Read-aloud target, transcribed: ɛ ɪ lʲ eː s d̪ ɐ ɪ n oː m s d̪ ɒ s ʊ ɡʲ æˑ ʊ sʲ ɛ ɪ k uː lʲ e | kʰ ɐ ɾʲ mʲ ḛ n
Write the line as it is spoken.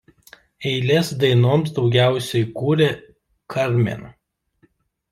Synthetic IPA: ɛ ɪ lʲ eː s d̪ ɐ ɪ n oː m s d̪ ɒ ʊ ɡʲ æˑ ʊ sʲ ɛ ɪ k uː ɾʲ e | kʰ ɐ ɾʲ mʲ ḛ n